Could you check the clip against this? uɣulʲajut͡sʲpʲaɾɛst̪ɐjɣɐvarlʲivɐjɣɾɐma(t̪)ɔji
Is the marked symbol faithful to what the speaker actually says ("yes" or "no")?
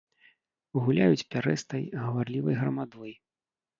no